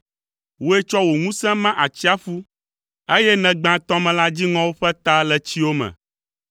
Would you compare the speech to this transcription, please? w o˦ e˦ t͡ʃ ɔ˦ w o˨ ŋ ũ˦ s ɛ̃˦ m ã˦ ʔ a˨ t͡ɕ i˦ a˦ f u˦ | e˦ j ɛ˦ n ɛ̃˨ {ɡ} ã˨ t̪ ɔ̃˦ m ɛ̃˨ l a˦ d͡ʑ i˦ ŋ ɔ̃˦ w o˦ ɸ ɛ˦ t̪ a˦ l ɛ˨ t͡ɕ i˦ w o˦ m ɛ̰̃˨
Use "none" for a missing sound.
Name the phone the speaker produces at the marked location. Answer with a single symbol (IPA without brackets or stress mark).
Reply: ɡ͡b